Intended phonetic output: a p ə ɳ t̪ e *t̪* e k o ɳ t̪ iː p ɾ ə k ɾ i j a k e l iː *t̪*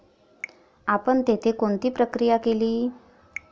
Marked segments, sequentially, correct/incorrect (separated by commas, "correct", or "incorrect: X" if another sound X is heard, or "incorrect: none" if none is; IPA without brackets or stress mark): incorrect: t̪ʰ, incorrect: none